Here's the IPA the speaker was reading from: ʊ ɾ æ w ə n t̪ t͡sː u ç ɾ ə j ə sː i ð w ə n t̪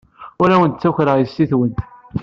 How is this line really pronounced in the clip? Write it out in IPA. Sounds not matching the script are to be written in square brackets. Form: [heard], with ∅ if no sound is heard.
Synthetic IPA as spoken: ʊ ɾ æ w ə n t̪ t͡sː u ç ɾ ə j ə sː i [θ] w ə n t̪

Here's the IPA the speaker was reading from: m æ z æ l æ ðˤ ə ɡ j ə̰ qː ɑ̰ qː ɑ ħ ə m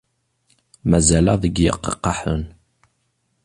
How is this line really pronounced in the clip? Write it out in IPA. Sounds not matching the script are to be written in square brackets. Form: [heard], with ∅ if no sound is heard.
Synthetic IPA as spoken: m æ z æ l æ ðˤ ə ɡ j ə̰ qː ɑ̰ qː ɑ ħ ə [n]

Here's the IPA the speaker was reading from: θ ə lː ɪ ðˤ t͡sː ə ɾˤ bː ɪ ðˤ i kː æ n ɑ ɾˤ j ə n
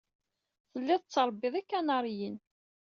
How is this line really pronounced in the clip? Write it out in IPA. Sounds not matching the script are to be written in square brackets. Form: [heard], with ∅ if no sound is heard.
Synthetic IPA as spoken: θ ə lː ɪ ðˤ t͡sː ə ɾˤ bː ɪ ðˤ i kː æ n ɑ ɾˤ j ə n

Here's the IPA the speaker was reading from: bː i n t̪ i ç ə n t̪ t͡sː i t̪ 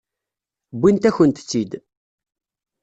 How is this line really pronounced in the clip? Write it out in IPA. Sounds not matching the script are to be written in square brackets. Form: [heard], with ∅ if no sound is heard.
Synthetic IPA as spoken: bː i n t̪ [æ] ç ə n t̪ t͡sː i [d̪]

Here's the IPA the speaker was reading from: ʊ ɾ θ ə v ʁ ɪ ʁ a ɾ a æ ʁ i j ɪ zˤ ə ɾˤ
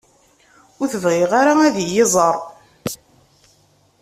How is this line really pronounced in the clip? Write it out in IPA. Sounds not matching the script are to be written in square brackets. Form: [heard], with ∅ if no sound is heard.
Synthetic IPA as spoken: ʊ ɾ θ ə v ʁ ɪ ʁ a ɾ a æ [ð] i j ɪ zˤ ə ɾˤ

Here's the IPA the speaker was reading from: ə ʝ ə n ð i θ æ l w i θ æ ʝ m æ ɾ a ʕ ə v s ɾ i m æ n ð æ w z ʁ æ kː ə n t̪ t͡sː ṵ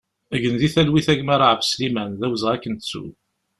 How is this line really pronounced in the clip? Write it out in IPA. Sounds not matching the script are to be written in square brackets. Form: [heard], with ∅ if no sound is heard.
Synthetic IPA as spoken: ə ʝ ə n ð i θ æ l w i θ æ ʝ m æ ɾ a ʕ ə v s [l] i m æ n ð æ w z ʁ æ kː ə n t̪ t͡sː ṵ

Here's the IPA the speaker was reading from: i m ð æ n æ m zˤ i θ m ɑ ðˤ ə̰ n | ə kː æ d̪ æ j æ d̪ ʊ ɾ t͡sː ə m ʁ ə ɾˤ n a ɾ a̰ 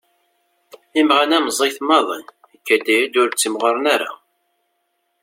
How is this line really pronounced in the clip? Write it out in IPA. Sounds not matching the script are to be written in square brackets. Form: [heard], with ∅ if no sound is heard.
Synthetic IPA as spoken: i m [ʁ] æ n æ m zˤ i θ m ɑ ðˤ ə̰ n | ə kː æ d̪ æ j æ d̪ ʊ ɾ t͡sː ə m ʁ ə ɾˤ n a ɾ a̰

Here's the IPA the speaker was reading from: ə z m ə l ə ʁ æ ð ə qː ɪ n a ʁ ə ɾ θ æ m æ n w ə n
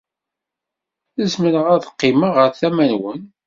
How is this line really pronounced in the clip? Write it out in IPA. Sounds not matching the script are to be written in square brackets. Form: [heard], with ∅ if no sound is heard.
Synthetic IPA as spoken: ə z m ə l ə ʁ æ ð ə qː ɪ [m] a ʁ ə ɾ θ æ m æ n w ə n

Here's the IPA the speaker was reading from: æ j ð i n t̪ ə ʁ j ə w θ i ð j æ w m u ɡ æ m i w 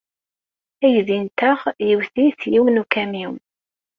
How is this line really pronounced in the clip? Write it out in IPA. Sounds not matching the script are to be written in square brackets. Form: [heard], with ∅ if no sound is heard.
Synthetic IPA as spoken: æ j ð i n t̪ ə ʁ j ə w θ i [θ] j [i] w [n] u [k] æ m i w

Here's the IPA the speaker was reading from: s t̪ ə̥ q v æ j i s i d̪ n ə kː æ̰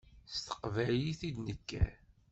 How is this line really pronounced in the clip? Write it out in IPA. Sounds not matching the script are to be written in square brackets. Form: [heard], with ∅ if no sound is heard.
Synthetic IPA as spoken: s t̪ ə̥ q v æ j i [θ] i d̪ n ə kː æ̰

